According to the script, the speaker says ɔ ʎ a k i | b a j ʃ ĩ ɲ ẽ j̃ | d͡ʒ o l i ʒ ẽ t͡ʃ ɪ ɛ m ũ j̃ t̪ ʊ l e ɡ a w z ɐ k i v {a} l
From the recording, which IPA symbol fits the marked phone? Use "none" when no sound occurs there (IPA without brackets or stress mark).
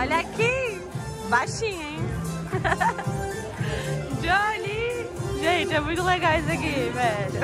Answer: ɛ